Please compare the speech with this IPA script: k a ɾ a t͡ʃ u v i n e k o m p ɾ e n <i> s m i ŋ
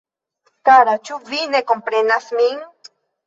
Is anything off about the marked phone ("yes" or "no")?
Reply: yes